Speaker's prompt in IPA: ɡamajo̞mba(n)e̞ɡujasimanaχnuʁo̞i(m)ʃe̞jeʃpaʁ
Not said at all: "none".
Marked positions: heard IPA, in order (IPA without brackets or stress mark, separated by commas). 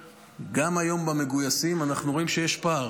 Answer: m, m